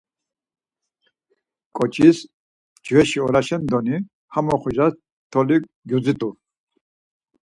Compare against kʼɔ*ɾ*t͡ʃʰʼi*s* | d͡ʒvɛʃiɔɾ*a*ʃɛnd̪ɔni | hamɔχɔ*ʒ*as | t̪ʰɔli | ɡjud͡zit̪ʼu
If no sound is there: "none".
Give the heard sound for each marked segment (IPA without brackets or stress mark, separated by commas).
none, s, a, ʒ